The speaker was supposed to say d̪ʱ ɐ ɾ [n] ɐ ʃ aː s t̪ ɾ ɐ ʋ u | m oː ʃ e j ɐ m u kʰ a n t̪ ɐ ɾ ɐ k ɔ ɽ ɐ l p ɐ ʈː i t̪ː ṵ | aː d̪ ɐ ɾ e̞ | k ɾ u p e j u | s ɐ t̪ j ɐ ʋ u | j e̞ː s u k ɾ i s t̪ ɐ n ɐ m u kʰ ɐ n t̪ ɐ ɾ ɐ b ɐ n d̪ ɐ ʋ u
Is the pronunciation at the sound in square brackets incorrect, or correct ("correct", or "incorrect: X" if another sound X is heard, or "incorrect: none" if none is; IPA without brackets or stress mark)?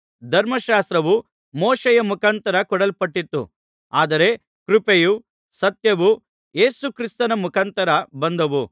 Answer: incorrect: m